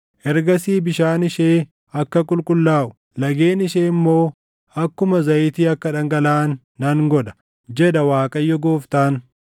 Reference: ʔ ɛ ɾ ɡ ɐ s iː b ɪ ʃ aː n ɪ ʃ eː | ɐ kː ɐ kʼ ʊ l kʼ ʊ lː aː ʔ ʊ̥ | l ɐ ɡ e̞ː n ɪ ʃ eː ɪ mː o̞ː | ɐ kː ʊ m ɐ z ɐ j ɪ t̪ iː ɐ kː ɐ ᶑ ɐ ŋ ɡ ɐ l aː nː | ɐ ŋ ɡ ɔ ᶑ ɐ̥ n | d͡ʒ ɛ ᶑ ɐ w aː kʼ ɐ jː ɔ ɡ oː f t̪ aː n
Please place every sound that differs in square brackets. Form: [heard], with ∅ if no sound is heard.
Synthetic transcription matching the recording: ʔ ɛ ɾ ɡ ɐ s iː b ɪ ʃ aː n ɪ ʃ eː | ɐ kː ɐ kʼ ʊ l kʼ ʊ lː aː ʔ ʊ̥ | l ɐ ɡ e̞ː n ɪ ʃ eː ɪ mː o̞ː | ɐ kː ʊ m ɐ z ɐ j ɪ t̪ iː ɐ kː ɐ ᶑ ɐ ŋ ɡ ɐ l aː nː | ɐ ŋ ɡ ɔ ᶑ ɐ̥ [∅] | d͡ʒ ɛ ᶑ ɐ w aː kʼ ɐ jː ɔ ɡ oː f t̪ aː n